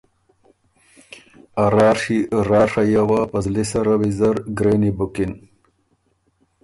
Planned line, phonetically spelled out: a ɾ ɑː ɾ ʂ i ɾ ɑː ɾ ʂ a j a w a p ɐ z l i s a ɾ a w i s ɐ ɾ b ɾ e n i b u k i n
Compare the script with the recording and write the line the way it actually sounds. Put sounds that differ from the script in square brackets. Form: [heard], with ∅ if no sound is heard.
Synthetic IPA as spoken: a ɾ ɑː ɾ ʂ i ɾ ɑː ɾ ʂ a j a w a p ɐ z l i s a ɾ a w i [z] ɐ ɾ [ɡ] ɾ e n i b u k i n